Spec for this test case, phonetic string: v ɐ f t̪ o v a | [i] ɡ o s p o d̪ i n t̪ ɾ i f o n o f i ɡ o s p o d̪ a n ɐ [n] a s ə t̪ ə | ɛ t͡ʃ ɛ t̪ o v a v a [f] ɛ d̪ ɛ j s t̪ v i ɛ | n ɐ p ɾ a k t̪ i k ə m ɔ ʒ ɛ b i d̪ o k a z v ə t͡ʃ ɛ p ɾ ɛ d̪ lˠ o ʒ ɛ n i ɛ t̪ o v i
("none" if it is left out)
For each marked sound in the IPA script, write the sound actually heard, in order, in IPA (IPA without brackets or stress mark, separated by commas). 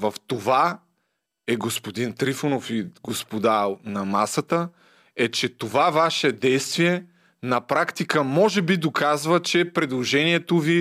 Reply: ɛ, m, ʃ